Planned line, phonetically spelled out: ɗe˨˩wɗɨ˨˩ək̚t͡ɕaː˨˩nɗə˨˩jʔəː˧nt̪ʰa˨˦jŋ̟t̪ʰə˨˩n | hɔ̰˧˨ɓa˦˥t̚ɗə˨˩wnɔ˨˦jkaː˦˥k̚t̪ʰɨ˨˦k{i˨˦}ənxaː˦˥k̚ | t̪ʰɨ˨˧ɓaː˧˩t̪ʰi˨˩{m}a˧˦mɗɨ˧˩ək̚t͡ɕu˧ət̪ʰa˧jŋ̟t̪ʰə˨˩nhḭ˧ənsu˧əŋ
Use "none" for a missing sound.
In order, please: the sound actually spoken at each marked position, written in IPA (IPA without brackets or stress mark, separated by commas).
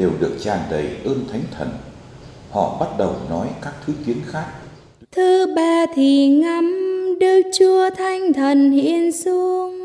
i˨˦, ŋ